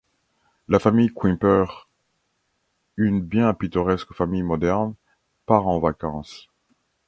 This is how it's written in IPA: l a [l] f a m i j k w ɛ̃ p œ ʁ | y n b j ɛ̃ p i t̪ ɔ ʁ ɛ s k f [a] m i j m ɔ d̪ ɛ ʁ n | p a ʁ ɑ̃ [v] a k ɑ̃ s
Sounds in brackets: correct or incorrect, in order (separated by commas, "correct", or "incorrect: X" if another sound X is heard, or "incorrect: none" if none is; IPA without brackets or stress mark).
incorrect: none, correct, correct